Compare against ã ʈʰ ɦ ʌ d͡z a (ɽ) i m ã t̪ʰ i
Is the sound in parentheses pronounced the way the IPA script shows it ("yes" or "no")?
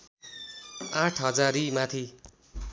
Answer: no